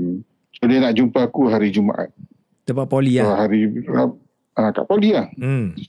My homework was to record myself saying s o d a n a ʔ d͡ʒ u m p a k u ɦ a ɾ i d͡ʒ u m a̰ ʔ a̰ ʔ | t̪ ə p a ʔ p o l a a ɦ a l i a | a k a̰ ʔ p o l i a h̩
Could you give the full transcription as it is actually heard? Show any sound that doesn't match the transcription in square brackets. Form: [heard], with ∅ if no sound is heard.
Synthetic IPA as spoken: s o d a n a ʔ d͡ʒ u m p a k u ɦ a ɾ i d͡ʒ u m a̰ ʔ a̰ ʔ | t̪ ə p a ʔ p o l [i] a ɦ a [ɾ] i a | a k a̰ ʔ p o l i a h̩